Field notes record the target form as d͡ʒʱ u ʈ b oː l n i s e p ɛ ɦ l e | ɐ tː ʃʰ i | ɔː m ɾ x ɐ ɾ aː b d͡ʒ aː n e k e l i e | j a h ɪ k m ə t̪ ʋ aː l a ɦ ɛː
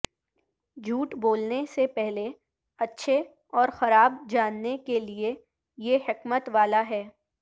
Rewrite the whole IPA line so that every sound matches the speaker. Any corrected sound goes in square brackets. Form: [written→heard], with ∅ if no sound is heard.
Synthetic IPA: d͡ʒʱ [u→uː] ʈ b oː l n [i→e] s e p ɛ ɦ l e | ɐ tː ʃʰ [i→e] | ɔː [m→∅] ɾ x ɐ ɾ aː b d͡ʒ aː [n→nː] e k e l i e | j [a→e] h ɪ k m ə t̪ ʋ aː l a ɦ ɛː